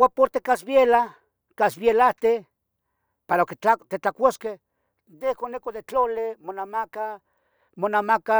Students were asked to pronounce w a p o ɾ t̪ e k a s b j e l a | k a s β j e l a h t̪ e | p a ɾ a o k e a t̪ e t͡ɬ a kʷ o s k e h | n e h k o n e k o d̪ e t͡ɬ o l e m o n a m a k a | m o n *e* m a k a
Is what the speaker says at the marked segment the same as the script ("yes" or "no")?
no